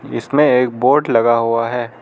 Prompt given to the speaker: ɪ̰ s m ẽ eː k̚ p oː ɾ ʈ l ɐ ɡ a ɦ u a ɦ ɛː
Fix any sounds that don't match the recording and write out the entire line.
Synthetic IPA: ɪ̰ s m ẽ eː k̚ b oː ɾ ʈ l ɐ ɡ a ɦ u a ɦ ɛː